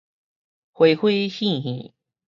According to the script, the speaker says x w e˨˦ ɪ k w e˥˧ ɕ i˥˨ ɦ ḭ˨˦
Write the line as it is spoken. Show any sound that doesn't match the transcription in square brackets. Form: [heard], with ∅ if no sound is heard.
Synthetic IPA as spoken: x w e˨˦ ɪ [x] w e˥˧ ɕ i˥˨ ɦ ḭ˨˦